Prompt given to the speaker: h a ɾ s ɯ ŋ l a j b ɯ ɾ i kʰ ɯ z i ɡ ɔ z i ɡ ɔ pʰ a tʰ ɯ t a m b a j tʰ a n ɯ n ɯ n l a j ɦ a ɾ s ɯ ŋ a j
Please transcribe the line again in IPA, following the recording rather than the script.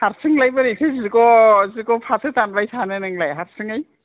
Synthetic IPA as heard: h a ɾ s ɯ ŋ l a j b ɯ ɾ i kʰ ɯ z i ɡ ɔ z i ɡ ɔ pʰ a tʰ ɯ t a n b a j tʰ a n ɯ n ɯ ŋ l a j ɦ a ɾ s ɯ ŋ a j

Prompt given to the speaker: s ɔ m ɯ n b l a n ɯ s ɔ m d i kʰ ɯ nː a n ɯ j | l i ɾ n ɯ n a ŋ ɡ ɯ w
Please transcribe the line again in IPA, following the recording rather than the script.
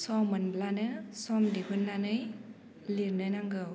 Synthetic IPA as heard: s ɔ m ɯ n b l a n ɯ s ɔ m d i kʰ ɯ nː a n ɯ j | l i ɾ n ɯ n a ŋ ɡ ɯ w

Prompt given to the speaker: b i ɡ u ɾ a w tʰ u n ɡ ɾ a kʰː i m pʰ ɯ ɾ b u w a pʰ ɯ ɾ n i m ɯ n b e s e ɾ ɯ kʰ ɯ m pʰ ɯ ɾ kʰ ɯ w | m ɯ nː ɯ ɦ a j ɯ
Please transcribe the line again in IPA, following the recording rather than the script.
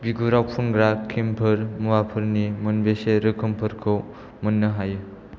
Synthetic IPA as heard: b i ɡ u ɾ a w pʰ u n ɡ ɾ a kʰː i m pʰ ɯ ɾ m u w a pʰ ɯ ɾ n i m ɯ n b e s e ɾ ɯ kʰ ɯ m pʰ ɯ ɾ kʰ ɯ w | m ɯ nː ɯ ɦ a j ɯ

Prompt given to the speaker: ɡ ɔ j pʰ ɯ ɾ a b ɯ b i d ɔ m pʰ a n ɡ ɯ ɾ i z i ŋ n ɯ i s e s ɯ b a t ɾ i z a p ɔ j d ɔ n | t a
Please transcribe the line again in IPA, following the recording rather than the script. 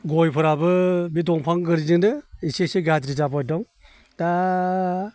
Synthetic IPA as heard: ɡ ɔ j pʰ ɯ ɾ a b ɯ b i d ɔ ŋ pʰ a ŋ ɡ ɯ ɾ i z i ŋ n ɯ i s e s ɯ ɡ a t ɾ i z a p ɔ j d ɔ ŋ | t a

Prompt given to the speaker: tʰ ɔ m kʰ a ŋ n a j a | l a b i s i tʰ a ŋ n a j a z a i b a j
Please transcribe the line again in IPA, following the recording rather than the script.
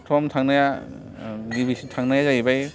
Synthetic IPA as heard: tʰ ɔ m tʰ a ŋ n a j a | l i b i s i tʰ a ŋ n a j a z a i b a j

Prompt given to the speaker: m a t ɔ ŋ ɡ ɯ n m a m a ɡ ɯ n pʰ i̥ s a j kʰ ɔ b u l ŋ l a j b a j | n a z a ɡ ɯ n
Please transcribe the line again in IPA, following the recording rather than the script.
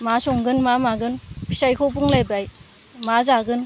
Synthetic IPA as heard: m a s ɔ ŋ ɡ ɯ n m a m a ɡ ɯ n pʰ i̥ s a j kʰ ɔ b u ŋ l a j b a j | m a z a ɡ ɯ n

